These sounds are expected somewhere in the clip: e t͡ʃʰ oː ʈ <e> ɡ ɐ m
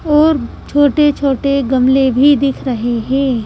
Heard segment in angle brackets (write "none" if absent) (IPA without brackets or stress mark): e